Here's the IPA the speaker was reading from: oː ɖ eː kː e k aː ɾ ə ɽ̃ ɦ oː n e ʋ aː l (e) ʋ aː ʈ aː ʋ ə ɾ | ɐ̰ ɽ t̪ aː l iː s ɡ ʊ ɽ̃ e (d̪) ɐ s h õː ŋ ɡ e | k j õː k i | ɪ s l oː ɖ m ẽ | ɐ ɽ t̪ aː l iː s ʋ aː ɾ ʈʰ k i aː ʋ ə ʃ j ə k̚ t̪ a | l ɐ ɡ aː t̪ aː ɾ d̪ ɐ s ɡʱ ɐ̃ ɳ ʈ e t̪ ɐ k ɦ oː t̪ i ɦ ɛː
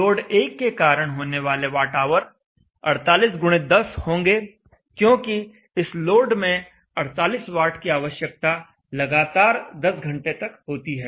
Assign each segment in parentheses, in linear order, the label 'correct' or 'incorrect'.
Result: correct, correct

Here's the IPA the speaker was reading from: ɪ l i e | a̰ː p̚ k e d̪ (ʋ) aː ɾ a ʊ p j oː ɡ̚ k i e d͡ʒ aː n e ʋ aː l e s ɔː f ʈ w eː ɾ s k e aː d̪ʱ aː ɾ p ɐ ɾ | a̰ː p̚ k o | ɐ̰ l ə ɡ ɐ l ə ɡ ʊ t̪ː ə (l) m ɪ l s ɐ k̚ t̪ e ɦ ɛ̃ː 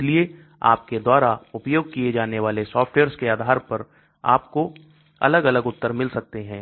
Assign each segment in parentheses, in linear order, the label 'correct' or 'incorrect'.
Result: incorrect, incorrect

